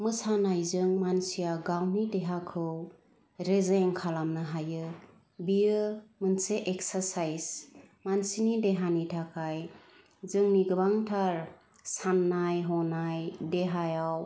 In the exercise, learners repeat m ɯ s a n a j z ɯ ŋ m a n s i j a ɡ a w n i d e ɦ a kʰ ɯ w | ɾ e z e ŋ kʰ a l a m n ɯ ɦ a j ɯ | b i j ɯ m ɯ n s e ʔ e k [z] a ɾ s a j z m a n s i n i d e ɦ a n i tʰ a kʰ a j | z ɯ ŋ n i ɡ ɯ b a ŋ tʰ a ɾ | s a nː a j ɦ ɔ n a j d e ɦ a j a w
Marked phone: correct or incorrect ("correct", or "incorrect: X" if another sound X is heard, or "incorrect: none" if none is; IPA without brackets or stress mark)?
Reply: incorrect: s